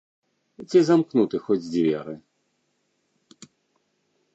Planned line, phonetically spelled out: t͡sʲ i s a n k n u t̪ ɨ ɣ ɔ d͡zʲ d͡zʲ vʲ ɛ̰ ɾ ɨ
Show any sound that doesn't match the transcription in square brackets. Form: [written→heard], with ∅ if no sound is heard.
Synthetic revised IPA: t͡sʲ i [s→z] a [n→m] k n u t̪ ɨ [ɣ→x] ɔ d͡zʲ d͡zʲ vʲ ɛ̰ ɾ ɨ